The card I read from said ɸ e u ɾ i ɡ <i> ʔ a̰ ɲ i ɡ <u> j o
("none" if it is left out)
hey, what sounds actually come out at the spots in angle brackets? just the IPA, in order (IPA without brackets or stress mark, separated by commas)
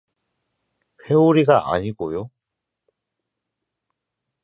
a, o